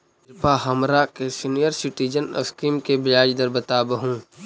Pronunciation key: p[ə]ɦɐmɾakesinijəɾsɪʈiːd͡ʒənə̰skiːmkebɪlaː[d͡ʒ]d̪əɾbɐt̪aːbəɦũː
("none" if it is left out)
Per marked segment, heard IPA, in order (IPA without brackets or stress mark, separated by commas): a, d͡ʒ